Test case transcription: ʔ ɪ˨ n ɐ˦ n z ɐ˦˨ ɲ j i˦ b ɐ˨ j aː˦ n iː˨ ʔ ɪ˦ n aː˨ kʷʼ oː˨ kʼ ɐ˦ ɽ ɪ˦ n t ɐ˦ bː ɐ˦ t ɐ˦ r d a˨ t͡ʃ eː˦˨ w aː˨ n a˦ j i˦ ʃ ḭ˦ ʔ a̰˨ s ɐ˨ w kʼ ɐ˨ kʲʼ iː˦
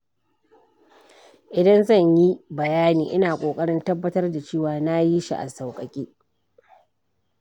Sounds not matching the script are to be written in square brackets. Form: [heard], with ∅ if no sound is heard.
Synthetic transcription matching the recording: ʔ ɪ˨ [d] ɐ˦ n z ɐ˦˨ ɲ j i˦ b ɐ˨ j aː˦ n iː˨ ʔ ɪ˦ n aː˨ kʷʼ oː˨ kʼ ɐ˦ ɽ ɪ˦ n t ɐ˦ bː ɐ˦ t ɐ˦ r d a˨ t͡ʃ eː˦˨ w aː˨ n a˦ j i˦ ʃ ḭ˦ ʔ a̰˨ s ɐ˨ w kʼ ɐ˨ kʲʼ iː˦